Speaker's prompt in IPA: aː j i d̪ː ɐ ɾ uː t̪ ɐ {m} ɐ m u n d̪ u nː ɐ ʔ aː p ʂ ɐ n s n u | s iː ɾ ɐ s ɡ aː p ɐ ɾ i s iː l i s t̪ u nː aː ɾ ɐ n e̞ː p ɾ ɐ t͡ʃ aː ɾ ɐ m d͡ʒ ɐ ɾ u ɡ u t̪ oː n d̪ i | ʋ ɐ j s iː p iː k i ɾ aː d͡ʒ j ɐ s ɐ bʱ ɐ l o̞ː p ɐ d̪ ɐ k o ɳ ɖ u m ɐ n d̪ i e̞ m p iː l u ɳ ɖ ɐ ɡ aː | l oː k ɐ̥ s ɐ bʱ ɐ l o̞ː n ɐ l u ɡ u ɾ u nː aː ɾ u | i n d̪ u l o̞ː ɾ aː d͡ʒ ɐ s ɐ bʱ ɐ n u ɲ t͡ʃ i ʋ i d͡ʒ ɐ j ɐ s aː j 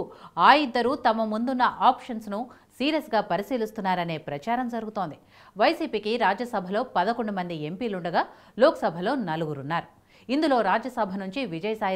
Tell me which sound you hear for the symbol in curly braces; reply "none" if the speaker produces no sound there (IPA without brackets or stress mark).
m